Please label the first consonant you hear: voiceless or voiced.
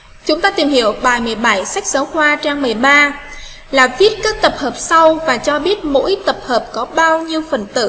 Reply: voiceless